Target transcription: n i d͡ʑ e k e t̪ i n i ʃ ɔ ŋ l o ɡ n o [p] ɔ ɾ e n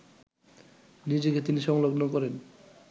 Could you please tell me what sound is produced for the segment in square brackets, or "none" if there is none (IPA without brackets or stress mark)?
k